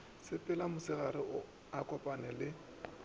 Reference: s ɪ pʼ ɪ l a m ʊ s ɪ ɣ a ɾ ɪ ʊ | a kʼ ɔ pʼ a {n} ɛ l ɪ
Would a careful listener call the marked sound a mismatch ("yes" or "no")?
no